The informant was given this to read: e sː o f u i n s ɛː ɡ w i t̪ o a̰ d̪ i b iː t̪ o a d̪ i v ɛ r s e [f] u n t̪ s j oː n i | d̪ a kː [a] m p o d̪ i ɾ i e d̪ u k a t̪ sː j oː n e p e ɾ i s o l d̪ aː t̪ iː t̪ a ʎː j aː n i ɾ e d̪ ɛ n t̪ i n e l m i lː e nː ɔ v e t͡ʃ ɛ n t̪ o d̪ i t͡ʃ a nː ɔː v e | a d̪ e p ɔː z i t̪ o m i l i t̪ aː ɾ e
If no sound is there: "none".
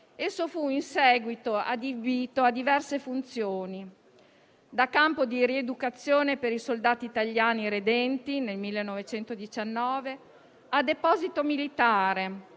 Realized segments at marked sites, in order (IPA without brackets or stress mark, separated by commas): f, a